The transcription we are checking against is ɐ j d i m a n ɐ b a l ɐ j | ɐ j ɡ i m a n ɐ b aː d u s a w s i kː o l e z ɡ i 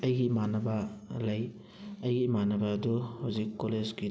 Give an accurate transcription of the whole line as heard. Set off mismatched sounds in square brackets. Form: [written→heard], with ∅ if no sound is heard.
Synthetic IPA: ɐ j [d→ɡ] i m a n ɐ b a l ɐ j | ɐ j ɡ i m a n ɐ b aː d u [s→h] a w [s→z] i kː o l e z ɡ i